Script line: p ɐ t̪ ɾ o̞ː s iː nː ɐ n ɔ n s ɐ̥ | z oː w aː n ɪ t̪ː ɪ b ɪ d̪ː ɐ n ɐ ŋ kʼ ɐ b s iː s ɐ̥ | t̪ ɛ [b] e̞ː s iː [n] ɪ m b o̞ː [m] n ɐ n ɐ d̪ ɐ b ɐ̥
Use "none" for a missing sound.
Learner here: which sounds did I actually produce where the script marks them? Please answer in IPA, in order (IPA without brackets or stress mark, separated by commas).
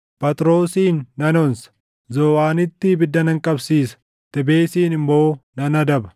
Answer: b, n, none